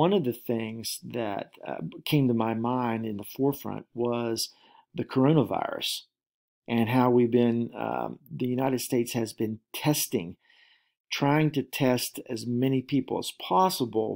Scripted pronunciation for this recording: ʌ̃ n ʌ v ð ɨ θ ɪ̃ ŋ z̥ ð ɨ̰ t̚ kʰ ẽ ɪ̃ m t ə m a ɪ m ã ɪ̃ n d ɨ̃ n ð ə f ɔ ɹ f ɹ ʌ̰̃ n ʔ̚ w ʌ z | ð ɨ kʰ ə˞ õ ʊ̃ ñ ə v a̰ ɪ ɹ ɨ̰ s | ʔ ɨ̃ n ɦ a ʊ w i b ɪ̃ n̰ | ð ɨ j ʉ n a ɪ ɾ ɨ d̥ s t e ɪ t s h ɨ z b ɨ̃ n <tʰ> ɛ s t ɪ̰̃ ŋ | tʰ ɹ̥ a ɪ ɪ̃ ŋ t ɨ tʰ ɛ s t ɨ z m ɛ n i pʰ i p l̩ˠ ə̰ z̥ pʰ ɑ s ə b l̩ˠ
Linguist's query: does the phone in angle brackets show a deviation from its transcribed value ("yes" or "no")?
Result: no